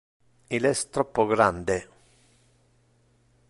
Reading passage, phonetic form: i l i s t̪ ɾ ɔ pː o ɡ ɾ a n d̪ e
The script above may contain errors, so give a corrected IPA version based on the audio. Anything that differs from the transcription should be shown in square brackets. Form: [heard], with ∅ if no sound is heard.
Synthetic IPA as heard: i l [ɛ] s t̪ ɾ ɔ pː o ɡ ɾ a n d̪ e